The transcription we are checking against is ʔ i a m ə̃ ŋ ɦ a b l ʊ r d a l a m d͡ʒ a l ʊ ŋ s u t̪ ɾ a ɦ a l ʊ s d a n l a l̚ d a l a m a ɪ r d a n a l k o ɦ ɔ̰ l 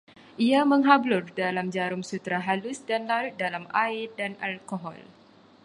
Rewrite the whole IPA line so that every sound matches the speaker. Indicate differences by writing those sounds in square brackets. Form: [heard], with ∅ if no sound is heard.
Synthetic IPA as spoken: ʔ i a m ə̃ ŋ ɦ a b l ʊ r d a l a m d͡ʒ a [ɾ] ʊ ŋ s u t̪ ɾ a ɦ a l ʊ s d a n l a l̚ d a l a m a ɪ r d a n a l k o ɦ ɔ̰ l